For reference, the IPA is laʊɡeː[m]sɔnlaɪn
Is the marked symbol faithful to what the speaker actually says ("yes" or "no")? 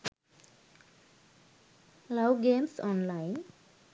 yes